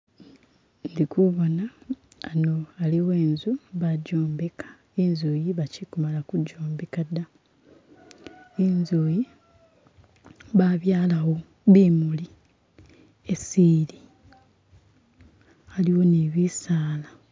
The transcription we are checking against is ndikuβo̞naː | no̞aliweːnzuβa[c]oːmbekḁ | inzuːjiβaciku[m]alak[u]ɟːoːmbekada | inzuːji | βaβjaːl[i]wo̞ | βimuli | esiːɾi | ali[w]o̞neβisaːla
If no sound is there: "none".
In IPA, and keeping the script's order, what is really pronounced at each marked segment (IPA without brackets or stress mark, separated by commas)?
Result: ɟ, m, u, a, w